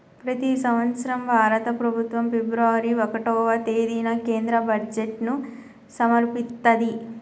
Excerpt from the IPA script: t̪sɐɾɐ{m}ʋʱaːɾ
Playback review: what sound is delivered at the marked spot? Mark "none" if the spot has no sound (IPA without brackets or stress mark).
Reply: m